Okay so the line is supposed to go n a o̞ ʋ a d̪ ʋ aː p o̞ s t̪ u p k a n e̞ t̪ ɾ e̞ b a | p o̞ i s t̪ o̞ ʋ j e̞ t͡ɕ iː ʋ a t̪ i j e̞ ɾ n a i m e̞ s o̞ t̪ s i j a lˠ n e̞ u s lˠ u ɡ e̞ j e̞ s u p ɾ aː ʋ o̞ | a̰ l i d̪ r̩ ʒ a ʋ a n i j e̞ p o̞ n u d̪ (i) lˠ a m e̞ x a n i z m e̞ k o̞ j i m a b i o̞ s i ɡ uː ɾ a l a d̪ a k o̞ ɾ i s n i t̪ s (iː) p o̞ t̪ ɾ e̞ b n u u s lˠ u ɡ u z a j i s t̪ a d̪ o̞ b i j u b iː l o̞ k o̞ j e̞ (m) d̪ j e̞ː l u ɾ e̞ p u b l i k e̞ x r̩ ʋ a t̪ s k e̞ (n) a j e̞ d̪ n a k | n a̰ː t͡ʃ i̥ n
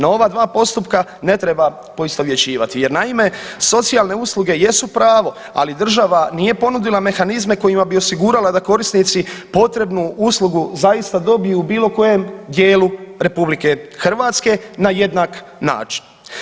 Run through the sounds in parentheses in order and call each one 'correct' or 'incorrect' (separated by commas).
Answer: correct, incorrect, correct, correct